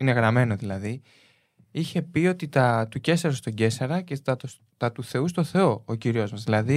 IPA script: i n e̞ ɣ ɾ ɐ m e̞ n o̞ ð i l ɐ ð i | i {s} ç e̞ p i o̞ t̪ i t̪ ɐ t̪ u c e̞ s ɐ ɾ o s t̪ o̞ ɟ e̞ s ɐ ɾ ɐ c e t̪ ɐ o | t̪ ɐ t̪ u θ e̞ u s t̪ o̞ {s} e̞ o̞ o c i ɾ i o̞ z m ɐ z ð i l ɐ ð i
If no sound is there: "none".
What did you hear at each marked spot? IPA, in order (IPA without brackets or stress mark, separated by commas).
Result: none, θ